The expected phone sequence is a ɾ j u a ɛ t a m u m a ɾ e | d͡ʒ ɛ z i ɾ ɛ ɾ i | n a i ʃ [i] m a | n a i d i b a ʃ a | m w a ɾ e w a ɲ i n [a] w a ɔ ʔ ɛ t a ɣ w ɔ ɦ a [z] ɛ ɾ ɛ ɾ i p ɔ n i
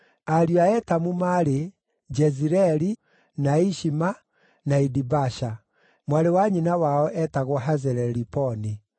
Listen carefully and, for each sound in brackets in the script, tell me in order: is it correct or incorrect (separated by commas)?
correct, correct, correct